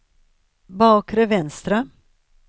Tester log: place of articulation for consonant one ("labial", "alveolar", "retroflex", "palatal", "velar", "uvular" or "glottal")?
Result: labial